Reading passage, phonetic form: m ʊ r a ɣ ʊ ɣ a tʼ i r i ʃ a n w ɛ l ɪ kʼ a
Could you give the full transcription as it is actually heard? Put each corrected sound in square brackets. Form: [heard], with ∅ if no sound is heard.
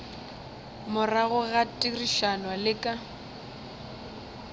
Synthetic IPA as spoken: m ʊ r a ɣ ʊ ɣ a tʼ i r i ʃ a n w [a] l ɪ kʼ a